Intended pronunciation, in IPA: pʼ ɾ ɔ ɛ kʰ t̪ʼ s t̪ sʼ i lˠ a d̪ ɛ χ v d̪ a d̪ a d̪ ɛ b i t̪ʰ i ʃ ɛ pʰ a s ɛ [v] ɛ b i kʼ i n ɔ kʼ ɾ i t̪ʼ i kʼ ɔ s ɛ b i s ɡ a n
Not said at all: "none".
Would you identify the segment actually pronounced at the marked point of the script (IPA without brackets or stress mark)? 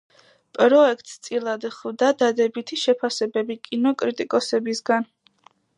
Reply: b